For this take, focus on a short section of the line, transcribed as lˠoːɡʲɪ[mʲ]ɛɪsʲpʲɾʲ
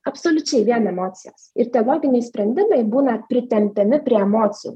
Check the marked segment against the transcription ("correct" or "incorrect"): incorrect